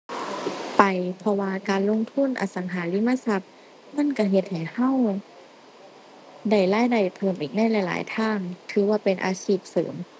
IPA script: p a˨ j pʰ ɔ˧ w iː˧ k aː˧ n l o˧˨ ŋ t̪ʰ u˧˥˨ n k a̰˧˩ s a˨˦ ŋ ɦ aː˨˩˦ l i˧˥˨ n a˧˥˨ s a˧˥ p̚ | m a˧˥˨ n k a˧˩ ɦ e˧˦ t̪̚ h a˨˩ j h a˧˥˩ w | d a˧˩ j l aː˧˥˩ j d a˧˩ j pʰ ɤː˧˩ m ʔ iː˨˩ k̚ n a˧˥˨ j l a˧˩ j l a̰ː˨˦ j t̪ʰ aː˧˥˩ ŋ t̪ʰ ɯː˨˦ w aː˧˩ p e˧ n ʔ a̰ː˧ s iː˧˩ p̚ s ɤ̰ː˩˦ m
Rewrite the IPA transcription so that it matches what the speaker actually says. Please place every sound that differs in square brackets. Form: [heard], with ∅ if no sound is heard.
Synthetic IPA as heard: p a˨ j pʰ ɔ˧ w [aː˧] k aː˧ n l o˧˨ ŋ t̪ʰ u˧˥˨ n [ʔ] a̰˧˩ s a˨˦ ŋ ɦ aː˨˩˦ l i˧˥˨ [m] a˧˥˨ s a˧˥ p̚ | m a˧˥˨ n k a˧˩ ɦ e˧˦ t̪̚ h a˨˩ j h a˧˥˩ w | d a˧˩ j l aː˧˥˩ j d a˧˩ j pʰ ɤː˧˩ m ʔ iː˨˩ k̚ n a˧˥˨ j l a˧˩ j l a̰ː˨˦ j t̪ʰ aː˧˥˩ ŋ t̪ʰ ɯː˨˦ w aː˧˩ p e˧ n ʔ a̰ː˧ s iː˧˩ p̚ s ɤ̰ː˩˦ m